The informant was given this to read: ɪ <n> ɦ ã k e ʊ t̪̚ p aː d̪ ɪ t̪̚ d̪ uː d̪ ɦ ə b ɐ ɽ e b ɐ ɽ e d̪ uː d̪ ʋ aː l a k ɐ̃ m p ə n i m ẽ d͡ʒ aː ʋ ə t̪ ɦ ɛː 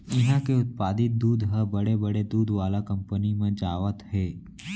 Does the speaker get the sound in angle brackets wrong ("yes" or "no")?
yes